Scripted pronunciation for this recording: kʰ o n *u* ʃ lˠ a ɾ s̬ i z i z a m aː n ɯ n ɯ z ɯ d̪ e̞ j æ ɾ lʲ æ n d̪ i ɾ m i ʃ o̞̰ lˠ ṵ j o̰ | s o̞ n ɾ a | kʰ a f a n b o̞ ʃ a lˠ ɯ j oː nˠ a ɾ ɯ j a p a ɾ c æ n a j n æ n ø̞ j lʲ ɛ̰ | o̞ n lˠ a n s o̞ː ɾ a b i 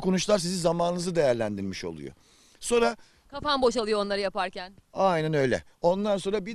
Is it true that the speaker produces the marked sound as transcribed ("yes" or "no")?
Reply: yes